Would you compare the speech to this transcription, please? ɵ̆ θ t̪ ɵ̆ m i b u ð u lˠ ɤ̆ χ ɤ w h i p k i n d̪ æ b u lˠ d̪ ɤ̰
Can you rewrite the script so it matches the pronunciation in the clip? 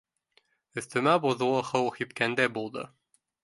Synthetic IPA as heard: ɵ̆ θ t̪ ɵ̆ m æ b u ð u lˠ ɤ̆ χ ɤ w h i p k æ n d̪ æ b u lˠ d̪ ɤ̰